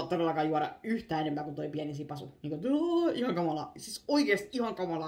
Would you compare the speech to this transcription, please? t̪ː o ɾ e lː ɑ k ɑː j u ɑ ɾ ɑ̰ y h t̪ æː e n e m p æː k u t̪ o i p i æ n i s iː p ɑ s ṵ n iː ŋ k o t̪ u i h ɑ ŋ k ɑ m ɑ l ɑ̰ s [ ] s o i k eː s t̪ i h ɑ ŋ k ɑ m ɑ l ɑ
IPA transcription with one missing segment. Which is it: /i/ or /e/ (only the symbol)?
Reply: i